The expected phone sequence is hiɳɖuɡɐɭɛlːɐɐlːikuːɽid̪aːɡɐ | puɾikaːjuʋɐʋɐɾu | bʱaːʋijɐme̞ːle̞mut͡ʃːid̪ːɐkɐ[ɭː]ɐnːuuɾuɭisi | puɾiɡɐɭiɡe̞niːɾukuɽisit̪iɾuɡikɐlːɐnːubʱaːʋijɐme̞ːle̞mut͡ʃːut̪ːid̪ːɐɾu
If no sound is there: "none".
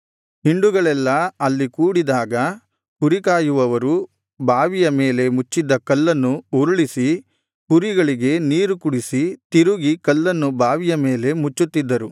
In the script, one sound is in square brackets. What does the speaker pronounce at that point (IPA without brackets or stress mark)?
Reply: lː